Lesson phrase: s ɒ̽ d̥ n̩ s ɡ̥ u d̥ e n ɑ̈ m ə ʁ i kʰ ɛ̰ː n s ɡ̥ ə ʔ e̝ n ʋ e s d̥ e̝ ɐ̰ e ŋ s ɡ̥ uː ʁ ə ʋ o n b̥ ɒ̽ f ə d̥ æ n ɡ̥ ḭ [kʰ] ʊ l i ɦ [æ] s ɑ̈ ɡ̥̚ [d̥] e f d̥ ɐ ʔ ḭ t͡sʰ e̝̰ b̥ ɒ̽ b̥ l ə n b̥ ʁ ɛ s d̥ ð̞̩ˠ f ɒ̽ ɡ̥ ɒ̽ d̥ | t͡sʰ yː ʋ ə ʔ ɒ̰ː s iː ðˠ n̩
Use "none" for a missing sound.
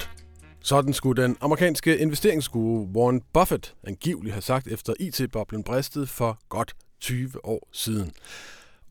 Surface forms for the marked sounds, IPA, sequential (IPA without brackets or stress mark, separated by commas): none, æ, d̥